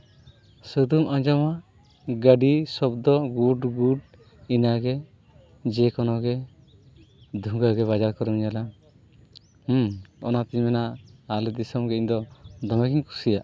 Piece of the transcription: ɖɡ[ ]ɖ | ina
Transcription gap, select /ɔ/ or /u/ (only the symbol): u